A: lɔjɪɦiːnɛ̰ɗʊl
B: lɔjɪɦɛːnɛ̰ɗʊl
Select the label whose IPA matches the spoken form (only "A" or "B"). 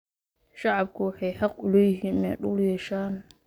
A